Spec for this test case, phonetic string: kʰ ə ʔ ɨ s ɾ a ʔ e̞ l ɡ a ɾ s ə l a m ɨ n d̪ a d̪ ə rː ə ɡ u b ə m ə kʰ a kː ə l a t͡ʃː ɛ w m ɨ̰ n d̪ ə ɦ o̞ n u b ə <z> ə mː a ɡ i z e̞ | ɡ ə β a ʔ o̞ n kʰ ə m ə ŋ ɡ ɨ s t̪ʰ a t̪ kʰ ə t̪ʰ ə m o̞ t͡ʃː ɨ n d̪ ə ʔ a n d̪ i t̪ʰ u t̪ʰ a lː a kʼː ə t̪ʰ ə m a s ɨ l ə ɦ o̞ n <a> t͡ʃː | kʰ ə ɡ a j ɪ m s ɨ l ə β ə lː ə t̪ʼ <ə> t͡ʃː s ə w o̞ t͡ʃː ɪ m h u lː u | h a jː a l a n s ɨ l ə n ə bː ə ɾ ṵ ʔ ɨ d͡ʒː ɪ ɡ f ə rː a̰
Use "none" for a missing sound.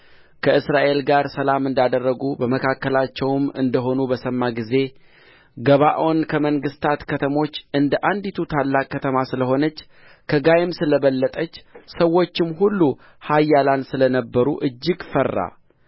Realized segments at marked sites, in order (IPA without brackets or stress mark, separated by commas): s, ə, ə